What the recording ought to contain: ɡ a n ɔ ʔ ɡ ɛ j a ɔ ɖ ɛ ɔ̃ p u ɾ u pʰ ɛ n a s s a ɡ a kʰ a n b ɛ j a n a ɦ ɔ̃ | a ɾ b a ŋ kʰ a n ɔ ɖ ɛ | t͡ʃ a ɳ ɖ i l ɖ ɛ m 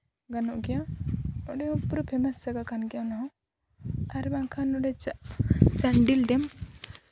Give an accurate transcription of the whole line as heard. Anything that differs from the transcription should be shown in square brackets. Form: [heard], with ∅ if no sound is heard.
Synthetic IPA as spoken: ɡ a n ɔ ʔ ɡ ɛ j a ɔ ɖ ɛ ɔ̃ p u ɾ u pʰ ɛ [m] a s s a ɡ a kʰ a n [ɡ] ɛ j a n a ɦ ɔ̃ | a ɾ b a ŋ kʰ a n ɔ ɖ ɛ | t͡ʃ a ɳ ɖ i l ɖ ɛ m

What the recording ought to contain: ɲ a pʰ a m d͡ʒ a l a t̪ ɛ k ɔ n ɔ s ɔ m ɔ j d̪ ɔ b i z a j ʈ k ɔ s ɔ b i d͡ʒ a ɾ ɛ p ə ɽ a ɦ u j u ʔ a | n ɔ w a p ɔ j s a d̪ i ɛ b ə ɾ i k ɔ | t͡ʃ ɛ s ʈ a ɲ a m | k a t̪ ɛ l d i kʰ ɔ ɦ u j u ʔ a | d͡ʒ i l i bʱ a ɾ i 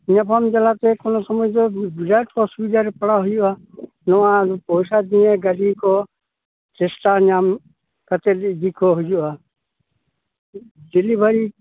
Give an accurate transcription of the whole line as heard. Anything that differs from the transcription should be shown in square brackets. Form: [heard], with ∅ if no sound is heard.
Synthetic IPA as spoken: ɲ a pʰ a m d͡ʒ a l a t̪ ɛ k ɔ n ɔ s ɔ m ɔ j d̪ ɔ b i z a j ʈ k ɔ s [u] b i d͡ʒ a ɾ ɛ p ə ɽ a ɦ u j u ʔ a | n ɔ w a p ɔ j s a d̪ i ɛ [ɡ] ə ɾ i k ɔ | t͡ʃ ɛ s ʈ a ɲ a m | k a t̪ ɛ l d i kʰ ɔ ɦ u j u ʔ a | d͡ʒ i l i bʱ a ɾ i

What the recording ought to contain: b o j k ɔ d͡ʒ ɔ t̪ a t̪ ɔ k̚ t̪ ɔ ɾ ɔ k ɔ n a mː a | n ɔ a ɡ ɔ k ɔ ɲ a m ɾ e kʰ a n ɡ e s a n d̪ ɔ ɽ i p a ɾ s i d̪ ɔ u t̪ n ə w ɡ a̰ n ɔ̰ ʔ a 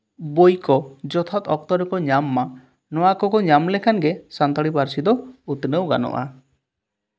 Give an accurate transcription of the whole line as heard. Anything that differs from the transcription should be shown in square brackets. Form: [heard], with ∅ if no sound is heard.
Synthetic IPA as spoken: b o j k ɔ d͡ʒ ɔ [t̪ʰ] a t̪ ɔ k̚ t̪ ɔ ɾ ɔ k ɔ [ɲ] a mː a | n ɔ a [k] ɔ k ɔ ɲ a m [l] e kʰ a n ɡ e s a n [t̪] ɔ ɽ i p a ɾ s i d̪ ɔ u t̪ n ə w ɡ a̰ n ɔ̰ ʔ a

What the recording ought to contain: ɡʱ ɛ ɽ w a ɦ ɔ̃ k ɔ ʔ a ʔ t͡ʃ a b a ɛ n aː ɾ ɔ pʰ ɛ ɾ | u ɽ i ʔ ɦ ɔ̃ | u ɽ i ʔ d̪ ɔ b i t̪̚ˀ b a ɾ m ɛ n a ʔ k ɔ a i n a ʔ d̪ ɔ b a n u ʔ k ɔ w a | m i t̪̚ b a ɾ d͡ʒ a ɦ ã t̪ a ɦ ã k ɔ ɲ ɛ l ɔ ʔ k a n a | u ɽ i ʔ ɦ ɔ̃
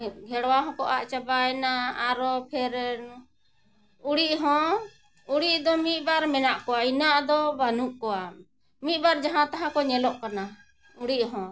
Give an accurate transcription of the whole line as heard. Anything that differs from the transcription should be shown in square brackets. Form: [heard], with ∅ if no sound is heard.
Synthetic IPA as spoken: ɡʱ ɛ ɽ w a ɦ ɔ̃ k ɔ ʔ a ʔ t͡ʃ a b a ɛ n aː ɾ ɔ pʰ ɛ ɾ | u ɽ i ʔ ɦ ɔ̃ | u ɽ i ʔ d̪ ɔ [m] i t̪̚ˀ b a ɾ m ɛ n a ʔ k ɔ a i n a ʔ d̪ ɔ b a n u ʔ k ɔ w a | m i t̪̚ b a ɾ d͡ʒ a ɦ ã t̪ a ɦ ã k ɔ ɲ ɛ l ɔ ʔ k a n a | u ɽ i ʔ ɦ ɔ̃

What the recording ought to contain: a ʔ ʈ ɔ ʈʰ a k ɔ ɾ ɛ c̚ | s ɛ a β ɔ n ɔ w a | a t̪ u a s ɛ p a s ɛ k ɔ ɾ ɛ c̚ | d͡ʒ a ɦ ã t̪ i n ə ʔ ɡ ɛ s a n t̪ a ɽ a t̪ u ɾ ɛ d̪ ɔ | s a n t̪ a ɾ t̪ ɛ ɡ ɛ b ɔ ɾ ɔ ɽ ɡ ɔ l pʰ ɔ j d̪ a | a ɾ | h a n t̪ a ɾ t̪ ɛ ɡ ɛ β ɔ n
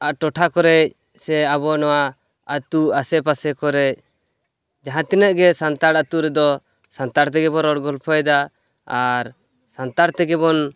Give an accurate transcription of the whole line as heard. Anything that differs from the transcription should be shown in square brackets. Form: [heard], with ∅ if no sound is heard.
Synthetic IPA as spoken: a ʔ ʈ ɔ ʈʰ a k ɔ ɾ ɛ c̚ | s ɛ a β ɔ n ɔ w a | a t̪ u a s ɛ p a s ɛ k ɔ ɾ ɛ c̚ | d͡ʒ a ɦ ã t̪ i n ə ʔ ɡ ɛ s a n t̪ a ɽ a t̪ u ɾ ɛ d̪ ɔ | s a n t̪ a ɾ t̪ ɛ ɡ ɛ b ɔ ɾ ɔ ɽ ɡ ɔ l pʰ ɔ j d̪ a | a ɾ | [s] a n t̪ a ɾ t̪ ɛ ɡ ɛ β ɔ n

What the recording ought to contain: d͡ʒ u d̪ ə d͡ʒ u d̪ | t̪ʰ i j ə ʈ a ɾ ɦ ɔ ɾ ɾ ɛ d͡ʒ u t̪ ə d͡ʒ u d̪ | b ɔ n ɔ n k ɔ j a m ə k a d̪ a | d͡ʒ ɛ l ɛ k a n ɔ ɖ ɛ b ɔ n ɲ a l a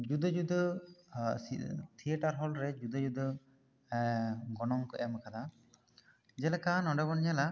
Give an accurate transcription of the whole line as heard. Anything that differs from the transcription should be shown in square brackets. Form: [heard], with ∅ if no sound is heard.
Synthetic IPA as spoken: d͡ʒ u d̪ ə d͡ʒ u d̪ | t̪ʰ i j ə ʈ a ɾ ɦ ɔ [l] ɾ ɛ d͡ʒ u [d̪] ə d͡ʒ u d̪ | [ɡ] ɔ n ɔ [ŋ] k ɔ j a m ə k a d̪ a | d͡ʒ ɛ l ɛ k a n ɔ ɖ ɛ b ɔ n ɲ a l a

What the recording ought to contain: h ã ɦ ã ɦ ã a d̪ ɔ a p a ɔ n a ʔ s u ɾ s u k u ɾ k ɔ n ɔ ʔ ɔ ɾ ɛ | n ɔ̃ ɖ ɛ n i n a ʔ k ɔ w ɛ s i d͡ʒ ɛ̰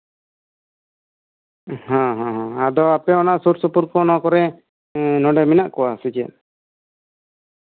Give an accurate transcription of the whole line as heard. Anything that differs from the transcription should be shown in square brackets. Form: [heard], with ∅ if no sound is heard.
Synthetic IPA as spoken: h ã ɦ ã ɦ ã a d̪ ɔ a p [ɛ] ɔ n a ʔ s u ɾ s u [p] u ɾ k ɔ n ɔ [k] ɔ ɾ ɛ | n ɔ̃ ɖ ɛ [m] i n a ʔ k ɔ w [a] s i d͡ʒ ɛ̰

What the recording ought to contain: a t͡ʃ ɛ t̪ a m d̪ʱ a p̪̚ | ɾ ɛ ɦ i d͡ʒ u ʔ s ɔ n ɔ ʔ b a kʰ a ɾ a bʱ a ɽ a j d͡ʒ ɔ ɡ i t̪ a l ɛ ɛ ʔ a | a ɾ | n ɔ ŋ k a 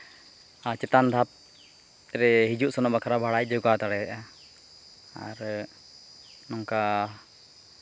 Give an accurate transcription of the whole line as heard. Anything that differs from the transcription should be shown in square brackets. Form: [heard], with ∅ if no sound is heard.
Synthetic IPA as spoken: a t͡ʃ ɛ t̪ a [n] d̪ʱ a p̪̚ | ɾ ɛ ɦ i d͡ʒ u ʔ s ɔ n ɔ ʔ b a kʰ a ɾ a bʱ a ɽ a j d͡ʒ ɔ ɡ [a] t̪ a [ɽ] ɛ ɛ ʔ a | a ɾ | n ɔ ŋ k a

